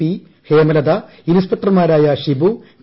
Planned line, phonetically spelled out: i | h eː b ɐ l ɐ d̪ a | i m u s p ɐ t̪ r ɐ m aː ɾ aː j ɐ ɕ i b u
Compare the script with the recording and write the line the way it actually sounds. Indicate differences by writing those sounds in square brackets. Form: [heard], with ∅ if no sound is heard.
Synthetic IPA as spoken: i | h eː [m] ɐ l ɐ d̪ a | i [n] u s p ɐ t̪ r ɐ m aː ɾ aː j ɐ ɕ i b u

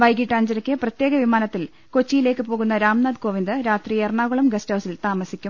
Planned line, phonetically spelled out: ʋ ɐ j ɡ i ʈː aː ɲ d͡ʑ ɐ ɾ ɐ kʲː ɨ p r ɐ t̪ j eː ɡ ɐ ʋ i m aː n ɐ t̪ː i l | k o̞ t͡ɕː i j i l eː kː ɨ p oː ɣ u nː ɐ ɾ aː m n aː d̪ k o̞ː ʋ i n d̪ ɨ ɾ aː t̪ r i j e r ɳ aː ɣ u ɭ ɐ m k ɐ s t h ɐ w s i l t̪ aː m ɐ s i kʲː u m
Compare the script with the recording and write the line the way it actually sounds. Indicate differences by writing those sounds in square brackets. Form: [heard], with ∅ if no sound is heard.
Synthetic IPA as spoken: ʋ ɐ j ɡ i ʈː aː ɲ d͡ʑ ɐ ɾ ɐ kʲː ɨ p r ɐ t̪ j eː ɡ ɐ ʋ i m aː n ɐ t̪ː i l | k o̞ t͡ɕː i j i l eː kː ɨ p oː ɣ u nː ɐ ɾ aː m n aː d̪ k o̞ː ʋ i n d̪ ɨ ɾ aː t̪ r i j e r ɳ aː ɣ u ɭ ɐ m [ɡ] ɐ s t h ɐ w s i l t̪ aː m ɐ s i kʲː u m

